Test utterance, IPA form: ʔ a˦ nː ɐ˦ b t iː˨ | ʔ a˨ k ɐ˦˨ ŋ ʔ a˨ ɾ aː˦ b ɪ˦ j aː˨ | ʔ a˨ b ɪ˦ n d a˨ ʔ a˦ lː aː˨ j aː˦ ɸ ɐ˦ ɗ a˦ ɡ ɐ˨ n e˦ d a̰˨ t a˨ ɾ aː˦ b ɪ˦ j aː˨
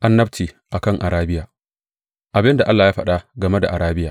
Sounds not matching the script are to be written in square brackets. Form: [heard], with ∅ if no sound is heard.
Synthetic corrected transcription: ʔ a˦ nː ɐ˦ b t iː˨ | ʔ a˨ k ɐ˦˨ ŋ ʔ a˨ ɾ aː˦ b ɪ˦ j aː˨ | ʔ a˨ b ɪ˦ n d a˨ ʔ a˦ lː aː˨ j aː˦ ɸ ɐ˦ ɗ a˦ ɡ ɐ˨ [m] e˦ d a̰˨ [ʔ] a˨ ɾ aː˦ b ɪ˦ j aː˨